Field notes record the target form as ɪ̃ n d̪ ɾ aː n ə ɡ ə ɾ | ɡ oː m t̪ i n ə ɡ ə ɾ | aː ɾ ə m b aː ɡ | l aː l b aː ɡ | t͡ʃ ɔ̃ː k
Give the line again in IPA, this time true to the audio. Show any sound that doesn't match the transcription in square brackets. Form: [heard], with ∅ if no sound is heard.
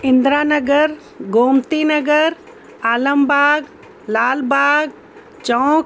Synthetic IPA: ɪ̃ n d̪ ɾ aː n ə ɡ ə ɾ | ɡ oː m t̪ i n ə ɡ ə ɾ | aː [l] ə m b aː ɡ | l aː l b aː ɡ | t͡ʃ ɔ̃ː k